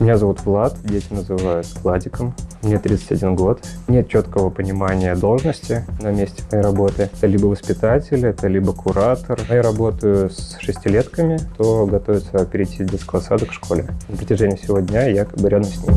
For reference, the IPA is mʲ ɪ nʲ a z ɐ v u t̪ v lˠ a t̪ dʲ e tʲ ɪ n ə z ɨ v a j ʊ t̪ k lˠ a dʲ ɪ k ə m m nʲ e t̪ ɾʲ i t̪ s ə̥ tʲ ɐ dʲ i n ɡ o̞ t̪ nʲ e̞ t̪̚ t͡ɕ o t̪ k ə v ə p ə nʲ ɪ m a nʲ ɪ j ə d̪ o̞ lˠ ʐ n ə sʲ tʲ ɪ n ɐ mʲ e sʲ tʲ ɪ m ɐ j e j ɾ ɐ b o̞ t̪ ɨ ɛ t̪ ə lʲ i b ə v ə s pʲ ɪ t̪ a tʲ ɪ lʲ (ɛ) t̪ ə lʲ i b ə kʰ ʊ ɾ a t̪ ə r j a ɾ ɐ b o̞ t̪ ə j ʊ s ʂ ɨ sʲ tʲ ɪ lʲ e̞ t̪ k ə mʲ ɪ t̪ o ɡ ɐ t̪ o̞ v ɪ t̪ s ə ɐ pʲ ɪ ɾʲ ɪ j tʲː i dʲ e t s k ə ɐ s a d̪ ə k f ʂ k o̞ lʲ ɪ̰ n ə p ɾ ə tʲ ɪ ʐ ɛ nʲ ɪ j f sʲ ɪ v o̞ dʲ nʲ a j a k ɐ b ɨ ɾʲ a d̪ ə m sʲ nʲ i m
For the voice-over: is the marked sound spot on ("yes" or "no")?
yes